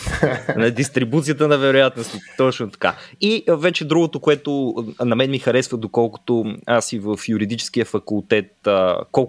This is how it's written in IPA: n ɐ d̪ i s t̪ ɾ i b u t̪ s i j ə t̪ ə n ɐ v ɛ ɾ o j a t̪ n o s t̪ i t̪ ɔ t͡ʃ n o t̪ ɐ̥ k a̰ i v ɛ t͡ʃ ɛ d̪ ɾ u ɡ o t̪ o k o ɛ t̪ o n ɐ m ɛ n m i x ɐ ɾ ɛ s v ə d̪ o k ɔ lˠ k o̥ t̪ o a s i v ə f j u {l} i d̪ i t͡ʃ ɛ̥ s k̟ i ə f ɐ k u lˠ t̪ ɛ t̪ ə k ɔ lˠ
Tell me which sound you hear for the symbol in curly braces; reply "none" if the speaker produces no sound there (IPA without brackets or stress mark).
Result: ɾ